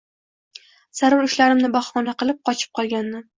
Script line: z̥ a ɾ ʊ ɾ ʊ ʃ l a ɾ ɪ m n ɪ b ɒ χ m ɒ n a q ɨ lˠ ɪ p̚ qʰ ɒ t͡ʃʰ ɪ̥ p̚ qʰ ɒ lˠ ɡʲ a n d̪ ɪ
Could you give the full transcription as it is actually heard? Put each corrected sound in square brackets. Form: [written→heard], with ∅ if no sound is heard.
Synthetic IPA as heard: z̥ a ɾ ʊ ɾ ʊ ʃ l a ɾ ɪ m n ɪ b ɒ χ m ɒ n a q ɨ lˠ ɪ p̚ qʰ ɒ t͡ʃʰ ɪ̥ p̚ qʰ ɒ lˠ ɡʲ a n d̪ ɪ

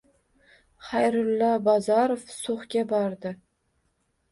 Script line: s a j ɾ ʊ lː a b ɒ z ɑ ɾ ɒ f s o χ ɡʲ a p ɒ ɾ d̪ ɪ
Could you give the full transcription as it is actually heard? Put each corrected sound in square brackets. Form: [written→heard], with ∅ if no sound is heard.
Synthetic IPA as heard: [s→χ] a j ɾ ʊ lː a b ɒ z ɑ ɾ [ɒ→o] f s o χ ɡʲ a [p→b] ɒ ɾ d̪ ɪ

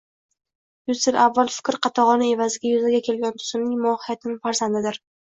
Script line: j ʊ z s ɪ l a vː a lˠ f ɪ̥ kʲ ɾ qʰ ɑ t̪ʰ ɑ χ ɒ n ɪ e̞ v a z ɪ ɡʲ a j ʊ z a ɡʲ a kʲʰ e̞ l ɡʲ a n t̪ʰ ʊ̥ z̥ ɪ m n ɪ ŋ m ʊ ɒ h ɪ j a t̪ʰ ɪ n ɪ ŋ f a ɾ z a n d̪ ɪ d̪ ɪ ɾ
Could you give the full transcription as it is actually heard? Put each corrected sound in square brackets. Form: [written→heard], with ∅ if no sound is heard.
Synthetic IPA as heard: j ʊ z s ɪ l a vː a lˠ f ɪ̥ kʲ ɾ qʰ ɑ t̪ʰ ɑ [χ→ʁ] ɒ n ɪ e̞ v a z ɪ ɡʲ a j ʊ z a ɡʲ a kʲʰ e̞ l ɡʲ a n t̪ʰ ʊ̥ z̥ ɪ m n ɪ ŋ m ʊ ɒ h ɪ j a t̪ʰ ɪ n ɪ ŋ f a ɾ z a n d̪ ɪ d̪ ɪ ɾ

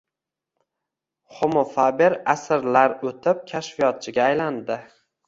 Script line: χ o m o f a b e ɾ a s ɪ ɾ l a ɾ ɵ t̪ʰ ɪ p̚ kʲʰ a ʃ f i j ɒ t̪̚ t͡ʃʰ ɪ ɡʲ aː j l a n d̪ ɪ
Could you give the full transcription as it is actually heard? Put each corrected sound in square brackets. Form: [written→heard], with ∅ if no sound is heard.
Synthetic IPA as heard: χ o m o f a b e ɾ a s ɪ ɾ l a ɾ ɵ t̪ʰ ɪ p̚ kʲʰ a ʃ f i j ɒ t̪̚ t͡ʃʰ ɪ ɡʲ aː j l a n d̪ ɪ

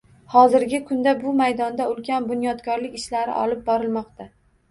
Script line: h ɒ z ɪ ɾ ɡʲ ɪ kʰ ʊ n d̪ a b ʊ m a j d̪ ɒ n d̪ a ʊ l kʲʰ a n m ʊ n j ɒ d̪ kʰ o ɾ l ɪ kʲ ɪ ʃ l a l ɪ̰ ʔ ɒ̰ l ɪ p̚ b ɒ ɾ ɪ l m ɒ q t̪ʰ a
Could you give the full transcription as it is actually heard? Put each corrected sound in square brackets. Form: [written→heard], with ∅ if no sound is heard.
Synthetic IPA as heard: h ɒ z ɪ ɾ ɡʲ ɪ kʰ ʊ n d̪ a b ʊ m a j d̪ ɒ n d̪ a ʊ l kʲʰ a n [m→b] ʊ n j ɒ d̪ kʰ [o→ɒ] ɾ l ɪ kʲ ɪ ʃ l a [l→ɾ] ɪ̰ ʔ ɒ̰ l ɪ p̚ b ɒ ɾ ɪ l m ɒ q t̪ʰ a

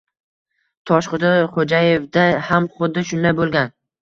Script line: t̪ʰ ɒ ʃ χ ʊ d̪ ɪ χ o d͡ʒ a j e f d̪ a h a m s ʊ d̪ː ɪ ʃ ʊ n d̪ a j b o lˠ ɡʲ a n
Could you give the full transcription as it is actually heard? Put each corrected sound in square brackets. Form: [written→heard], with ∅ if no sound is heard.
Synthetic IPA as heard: t̪ʰ ɒ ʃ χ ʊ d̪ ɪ χ o d͡ʒ a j e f d̪ a h a m [s→χ] ʊ d̪ː ɪ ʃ ʊ n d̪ a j b o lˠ ɡʲ a n

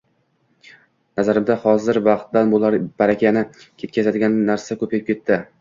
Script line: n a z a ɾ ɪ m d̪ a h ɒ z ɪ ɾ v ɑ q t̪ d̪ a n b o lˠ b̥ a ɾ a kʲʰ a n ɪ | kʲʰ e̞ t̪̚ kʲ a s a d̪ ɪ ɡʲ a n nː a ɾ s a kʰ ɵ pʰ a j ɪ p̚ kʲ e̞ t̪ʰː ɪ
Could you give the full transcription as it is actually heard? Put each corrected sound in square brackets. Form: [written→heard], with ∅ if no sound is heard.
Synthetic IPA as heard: n a z a ɾ ɪ m d̪ a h ɒ z ɪ ɾ v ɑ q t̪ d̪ a n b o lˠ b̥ a ɾ a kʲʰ a n ɪ | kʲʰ e̞ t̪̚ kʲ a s a d̪ ɪ ɡʲ a n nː a ɾ s a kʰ ɵ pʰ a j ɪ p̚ kʲ e̞ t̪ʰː ɪ

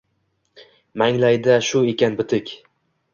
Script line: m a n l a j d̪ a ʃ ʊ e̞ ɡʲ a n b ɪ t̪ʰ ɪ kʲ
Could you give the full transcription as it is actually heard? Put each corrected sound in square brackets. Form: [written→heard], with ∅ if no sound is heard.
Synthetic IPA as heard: m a [n→ŋ] l a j d̪ a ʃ ʊ e̞ [ɡʲ→kʲ] a n b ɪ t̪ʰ ɪ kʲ

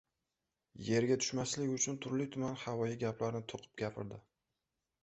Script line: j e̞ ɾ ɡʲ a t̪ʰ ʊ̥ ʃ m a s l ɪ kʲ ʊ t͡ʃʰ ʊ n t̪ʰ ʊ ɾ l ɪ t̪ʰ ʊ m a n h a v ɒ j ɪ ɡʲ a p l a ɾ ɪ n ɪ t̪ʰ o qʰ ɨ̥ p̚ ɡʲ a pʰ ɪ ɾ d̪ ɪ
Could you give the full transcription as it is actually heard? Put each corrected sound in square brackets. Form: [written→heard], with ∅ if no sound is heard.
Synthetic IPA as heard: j e̞ ɾ ɡʲ a t̪ʰ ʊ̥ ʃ m a s l ɪ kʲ ʊ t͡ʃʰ ʊ n t̪ʰ ʊ ɾ l ɪ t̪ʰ ʊ m a n h a v ɒ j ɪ ɡʲ a p l a ɾ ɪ n ɪ t̪ʰ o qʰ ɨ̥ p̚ ɡʲ a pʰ ɪ ɾ d̪ ɪ

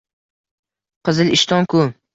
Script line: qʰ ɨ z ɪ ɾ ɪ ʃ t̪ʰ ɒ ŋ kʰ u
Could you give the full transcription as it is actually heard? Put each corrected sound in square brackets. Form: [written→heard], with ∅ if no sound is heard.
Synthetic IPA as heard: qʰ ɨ z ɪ [ɾ→l] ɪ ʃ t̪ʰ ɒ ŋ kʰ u

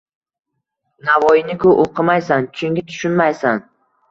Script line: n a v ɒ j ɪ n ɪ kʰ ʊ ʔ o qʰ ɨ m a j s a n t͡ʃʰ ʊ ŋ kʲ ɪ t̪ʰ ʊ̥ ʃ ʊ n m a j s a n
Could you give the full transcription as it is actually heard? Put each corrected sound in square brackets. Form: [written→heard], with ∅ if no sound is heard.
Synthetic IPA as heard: n a v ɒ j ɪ n ɪ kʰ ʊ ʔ o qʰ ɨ m a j s a n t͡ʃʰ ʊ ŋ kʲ ɪ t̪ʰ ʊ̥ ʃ ʊ n m a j s a n

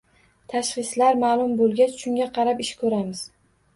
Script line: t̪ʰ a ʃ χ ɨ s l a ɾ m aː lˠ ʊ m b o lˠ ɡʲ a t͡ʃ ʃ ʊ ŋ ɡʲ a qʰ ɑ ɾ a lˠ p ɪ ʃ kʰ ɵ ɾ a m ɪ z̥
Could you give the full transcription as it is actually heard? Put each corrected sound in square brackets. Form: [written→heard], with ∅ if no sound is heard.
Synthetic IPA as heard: t̪ʰ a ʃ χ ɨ s l a ɾ m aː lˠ ʊ m b o lˠ ɡʲ a t͡ʃ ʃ ʊ ŋ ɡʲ a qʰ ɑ ɾ a [lˠ→∅] p ɪ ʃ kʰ ɵ ɾ a m ɪ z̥

